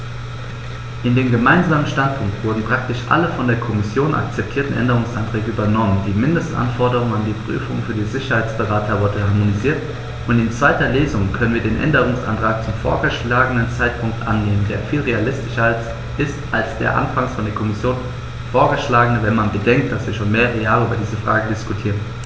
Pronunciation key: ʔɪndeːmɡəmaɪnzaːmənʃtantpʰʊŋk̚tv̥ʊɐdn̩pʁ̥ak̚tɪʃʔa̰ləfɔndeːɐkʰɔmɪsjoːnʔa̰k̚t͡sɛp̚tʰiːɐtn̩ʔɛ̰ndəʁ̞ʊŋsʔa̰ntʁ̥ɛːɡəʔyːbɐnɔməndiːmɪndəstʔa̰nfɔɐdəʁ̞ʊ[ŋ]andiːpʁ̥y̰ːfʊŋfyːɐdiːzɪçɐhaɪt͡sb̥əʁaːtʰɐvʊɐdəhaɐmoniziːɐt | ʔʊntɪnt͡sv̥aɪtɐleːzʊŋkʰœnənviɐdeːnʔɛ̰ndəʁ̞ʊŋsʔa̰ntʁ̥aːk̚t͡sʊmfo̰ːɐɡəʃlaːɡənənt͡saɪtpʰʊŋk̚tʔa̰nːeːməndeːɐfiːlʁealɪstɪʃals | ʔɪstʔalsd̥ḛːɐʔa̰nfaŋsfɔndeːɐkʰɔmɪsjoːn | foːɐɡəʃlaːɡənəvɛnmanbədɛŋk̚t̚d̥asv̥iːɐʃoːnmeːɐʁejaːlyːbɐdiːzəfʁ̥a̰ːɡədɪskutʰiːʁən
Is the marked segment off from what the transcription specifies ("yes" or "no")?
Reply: no